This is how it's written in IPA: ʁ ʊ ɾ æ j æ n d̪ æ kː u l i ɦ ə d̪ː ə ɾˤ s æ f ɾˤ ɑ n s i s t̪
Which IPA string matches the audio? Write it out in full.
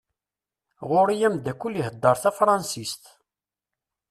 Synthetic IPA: ʁ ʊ ɾ i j æ m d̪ æ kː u l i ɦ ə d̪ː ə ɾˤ θ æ f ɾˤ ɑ n s i s t̪